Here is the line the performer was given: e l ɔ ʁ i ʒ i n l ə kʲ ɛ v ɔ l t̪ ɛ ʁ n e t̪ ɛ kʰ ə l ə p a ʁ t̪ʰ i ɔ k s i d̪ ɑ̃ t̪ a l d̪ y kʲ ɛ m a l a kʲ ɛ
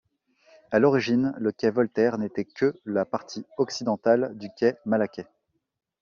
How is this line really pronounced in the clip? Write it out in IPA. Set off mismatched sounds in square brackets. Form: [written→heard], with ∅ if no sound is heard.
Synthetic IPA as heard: [e→a] l ɔ ʁ i ʒ i n l ə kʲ ɛ v ɔ l t̪ ɛ ʁ n e t̪ ɛ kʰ ə l [ə→a] p a ʁ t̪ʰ i ɔ k s i d̪ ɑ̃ t̪ a l d̪ y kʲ ɛ m a l a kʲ ɛ